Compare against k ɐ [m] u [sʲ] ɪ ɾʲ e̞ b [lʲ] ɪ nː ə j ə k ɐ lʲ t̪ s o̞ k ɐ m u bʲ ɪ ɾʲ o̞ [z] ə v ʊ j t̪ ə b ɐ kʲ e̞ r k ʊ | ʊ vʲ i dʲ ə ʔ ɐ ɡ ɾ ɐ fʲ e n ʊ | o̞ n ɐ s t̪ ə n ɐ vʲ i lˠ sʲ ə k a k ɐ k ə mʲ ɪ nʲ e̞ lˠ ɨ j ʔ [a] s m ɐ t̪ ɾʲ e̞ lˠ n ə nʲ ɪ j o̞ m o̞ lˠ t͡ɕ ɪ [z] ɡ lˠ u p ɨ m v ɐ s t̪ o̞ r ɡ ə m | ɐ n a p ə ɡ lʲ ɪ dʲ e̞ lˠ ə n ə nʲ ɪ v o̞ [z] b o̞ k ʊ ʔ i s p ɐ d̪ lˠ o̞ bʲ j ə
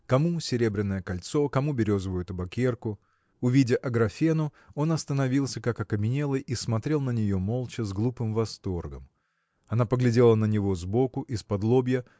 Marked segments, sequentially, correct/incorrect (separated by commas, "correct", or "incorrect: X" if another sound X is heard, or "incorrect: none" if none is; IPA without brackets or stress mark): correct, correct, incorrect: ɾʲ, correct, incorrect: i, correct, correct